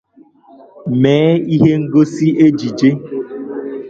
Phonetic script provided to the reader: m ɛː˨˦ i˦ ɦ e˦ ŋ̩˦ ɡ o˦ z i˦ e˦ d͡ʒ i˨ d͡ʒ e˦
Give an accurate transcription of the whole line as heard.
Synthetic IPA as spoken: m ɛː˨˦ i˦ ɦ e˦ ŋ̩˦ ɡ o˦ s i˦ e˦ d͡ʒ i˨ d͡ʒ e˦